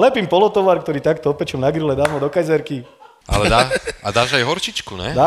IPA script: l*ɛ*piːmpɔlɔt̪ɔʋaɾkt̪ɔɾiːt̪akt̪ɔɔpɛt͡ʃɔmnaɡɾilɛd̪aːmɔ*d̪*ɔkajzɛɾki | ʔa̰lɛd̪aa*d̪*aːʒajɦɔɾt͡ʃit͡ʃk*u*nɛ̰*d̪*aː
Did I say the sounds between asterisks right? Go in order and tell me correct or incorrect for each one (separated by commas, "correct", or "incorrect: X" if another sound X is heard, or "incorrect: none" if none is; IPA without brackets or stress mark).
correct, correct, correct, correct, correct